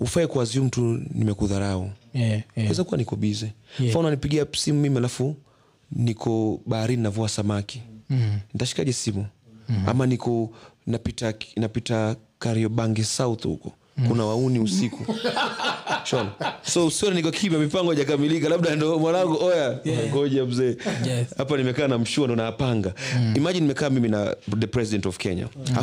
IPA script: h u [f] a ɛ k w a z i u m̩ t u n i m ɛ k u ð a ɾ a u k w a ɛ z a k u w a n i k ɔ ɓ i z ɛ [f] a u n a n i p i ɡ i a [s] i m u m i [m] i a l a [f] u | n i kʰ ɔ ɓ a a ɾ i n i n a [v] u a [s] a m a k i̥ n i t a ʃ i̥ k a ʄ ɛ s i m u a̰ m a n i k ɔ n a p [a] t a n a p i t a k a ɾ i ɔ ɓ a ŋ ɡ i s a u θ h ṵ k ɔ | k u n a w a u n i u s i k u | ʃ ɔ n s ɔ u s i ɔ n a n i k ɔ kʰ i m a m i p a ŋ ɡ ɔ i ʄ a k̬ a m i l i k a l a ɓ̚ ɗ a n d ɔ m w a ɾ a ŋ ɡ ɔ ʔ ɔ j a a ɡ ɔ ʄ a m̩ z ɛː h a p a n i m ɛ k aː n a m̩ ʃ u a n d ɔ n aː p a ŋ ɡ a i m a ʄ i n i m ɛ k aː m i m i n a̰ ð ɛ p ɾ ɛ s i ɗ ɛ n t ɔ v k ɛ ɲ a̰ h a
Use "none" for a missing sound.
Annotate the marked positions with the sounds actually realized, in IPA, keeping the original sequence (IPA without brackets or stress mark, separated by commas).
f, f, s, m, f, v, s, i